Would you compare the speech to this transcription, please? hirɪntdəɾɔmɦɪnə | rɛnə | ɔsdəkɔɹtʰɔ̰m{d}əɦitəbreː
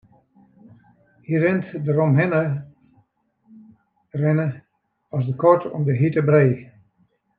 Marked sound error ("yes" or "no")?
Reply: no